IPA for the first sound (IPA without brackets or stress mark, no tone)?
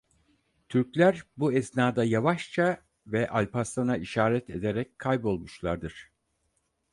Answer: t̪ʰ